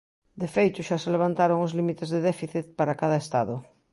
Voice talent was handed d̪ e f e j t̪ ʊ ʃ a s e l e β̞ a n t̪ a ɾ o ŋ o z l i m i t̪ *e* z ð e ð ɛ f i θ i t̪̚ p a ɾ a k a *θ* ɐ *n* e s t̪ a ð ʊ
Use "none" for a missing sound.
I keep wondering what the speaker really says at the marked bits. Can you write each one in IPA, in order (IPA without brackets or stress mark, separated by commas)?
e, ð, none